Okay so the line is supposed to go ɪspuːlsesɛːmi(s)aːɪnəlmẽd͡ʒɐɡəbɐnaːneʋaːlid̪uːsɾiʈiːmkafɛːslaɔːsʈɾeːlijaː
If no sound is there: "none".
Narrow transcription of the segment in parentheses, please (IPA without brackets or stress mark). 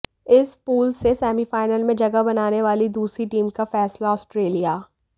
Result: f